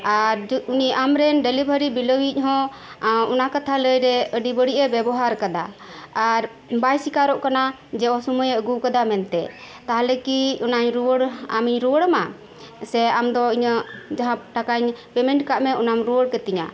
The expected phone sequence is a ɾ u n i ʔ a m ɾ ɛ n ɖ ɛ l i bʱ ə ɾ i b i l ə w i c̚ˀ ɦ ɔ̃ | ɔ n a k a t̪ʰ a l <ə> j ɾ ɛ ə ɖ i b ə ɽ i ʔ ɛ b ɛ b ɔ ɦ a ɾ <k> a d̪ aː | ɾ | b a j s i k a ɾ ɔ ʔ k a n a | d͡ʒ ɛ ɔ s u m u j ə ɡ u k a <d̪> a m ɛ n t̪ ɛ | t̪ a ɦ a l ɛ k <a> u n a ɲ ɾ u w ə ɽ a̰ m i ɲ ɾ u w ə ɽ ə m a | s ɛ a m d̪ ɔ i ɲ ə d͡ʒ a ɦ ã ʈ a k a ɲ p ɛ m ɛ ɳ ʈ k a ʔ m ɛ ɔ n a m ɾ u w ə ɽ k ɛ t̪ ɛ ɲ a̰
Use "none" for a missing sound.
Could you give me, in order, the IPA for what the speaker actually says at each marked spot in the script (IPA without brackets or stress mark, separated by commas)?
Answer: ə, k, d̪, i